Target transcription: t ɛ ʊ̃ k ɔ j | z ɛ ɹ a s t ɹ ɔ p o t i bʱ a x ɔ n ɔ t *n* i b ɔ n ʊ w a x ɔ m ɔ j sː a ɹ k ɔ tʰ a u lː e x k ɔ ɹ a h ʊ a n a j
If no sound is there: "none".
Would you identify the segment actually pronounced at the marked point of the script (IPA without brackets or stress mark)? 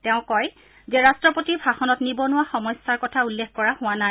n